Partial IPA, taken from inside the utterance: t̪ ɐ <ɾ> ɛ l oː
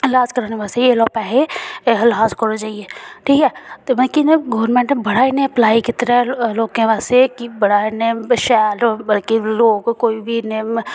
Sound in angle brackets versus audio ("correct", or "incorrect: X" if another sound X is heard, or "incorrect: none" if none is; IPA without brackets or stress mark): correct